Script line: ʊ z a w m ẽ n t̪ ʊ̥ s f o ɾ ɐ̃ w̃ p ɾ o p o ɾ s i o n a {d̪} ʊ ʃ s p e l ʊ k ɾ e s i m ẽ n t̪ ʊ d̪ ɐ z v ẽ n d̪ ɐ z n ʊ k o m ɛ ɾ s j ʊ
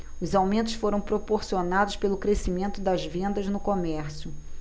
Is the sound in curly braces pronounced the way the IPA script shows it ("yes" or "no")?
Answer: yes